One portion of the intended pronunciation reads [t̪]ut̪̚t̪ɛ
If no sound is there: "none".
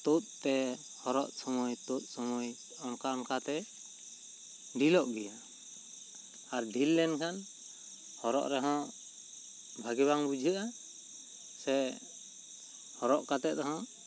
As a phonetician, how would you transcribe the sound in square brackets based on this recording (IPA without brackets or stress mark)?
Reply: t̪